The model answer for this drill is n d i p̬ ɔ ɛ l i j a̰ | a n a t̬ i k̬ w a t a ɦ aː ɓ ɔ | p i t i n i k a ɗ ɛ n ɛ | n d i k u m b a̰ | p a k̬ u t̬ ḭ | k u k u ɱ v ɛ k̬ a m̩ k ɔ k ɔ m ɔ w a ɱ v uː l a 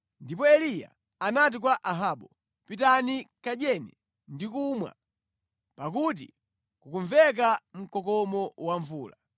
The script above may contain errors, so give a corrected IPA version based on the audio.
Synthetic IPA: n d i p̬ ɔ ɛ l i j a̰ | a n a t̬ i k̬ w a ʔ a ɦ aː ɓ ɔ | p i t a n i k a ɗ ɛ n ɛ | n d i k u m w a̰ | p a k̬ u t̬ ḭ | k u k u ɱ v ɛ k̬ a m̩ k ɔ k ɔ m ɔ w a ɱ v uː l a